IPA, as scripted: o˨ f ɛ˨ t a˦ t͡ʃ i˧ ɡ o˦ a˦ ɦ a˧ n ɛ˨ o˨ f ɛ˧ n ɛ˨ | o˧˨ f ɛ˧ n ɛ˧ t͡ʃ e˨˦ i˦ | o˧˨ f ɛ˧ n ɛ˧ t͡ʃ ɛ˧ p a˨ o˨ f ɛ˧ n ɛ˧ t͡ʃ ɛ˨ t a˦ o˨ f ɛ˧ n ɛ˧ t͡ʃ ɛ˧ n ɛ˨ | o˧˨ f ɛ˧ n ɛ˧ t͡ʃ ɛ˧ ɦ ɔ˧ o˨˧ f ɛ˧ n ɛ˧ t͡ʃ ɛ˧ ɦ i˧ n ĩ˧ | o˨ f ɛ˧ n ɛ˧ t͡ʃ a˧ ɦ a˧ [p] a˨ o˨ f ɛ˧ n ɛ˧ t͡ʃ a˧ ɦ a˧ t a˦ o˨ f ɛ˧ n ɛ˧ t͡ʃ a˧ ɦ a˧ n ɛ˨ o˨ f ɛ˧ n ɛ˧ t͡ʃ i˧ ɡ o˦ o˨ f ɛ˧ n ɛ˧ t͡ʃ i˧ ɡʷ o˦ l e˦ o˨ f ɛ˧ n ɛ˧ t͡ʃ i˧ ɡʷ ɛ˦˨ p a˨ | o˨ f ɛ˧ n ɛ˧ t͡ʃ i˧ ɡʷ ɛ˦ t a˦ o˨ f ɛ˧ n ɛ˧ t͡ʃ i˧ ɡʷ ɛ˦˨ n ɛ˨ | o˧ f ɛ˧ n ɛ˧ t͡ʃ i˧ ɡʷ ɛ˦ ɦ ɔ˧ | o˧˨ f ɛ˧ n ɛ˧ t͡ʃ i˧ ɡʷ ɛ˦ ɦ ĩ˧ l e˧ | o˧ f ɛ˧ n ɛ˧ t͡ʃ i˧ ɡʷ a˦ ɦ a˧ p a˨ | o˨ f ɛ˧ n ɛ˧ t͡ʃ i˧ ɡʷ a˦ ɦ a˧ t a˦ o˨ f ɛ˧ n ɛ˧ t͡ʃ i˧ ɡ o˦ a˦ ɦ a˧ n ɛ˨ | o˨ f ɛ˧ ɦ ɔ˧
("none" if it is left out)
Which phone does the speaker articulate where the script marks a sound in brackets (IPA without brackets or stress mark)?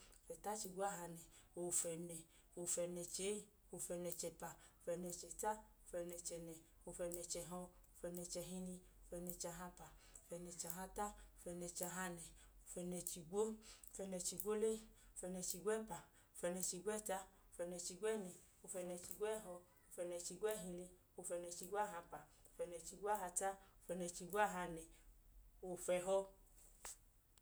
p